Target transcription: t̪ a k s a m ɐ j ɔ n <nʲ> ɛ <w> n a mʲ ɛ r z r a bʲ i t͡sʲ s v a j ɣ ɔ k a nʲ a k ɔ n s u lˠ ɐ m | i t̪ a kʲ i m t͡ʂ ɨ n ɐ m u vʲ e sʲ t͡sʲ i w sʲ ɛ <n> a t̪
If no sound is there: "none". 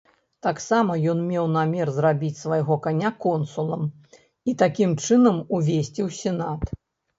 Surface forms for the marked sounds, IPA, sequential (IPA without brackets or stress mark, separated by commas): mʲ, w, n